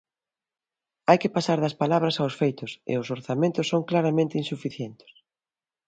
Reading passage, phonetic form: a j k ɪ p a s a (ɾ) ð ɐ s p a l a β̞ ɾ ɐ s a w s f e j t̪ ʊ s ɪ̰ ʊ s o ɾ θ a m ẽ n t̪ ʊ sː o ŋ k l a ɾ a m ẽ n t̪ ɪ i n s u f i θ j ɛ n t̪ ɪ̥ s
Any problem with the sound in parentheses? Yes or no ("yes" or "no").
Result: no